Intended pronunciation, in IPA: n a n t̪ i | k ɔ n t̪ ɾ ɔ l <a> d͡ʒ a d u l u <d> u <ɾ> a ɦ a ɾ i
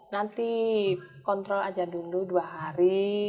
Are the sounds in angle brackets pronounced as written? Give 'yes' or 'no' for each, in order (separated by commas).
yes, yes, no